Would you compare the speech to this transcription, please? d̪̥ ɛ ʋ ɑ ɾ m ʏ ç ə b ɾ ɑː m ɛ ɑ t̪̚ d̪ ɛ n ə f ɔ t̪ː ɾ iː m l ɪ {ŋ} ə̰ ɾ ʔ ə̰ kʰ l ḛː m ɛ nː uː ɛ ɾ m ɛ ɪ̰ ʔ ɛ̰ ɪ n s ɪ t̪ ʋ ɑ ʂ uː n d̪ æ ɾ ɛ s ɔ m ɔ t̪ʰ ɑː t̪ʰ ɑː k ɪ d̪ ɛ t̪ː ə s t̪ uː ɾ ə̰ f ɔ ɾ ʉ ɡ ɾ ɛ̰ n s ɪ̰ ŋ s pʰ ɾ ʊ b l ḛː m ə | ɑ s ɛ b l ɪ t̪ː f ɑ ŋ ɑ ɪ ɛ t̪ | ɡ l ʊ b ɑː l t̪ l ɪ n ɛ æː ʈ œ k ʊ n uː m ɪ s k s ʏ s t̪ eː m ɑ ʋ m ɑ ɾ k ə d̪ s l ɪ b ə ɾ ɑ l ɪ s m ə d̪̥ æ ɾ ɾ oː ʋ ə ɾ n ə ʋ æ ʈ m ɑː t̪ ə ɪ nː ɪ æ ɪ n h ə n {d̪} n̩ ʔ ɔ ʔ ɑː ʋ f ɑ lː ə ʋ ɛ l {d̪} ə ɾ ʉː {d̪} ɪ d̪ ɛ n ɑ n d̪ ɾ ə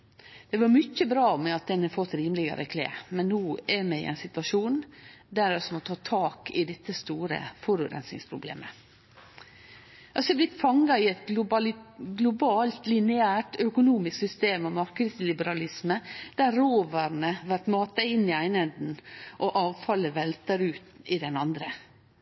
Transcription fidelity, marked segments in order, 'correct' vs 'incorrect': incorrect: ɡ, correct, incorrect: t̪, incorrect: t̪

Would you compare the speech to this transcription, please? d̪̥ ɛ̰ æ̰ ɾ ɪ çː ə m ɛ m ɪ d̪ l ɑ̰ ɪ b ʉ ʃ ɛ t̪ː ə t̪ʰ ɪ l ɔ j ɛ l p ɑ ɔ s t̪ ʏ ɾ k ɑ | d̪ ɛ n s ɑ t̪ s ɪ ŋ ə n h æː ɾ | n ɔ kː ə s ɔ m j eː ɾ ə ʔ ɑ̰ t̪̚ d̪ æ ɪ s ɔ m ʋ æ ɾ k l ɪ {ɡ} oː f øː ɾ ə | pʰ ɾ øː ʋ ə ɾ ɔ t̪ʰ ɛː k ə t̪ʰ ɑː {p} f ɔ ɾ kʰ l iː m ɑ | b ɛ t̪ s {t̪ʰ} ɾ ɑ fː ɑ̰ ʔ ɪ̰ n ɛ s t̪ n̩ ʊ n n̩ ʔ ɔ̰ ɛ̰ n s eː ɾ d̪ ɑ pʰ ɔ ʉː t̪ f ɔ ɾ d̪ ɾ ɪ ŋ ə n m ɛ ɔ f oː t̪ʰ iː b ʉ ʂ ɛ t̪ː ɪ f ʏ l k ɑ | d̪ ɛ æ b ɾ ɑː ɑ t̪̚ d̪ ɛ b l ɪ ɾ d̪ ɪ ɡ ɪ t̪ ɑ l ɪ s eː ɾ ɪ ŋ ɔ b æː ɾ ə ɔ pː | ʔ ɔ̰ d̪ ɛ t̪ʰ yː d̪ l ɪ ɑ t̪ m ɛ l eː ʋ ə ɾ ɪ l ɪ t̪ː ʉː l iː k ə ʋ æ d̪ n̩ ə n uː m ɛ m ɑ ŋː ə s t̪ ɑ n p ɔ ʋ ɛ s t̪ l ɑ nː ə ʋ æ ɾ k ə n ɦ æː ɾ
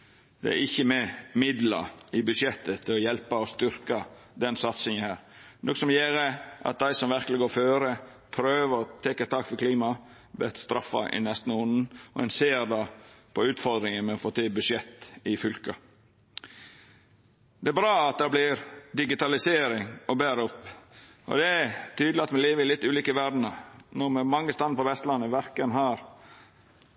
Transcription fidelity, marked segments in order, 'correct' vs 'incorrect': correct, incorrect: k, incorrect: t̪

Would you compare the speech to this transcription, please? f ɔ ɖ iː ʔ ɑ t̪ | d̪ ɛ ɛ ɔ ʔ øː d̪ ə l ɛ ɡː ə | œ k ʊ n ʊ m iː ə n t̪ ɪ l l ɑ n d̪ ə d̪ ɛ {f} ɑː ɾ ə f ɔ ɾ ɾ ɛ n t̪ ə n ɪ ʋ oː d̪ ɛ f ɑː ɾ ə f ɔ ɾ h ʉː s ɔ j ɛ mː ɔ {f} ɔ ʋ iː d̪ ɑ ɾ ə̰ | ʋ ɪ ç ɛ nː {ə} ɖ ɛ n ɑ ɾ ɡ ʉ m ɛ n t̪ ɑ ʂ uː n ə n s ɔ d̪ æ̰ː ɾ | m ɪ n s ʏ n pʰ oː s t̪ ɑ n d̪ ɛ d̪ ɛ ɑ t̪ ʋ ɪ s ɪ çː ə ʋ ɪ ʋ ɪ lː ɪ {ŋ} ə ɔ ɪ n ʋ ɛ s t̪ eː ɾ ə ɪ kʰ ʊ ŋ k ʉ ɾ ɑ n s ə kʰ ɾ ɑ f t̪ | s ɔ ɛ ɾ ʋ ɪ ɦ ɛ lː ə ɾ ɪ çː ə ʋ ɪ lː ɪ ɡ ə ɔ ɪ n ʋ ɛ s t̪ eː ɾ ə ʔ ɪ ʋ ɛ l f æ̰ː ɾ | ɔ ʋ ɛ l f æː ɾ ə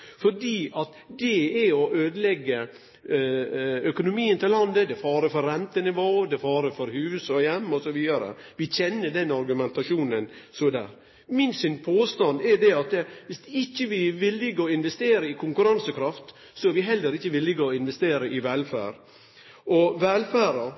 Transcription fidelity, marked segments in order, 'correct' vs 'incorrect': correct, incorrect: s, correct, incorrect: ɡ

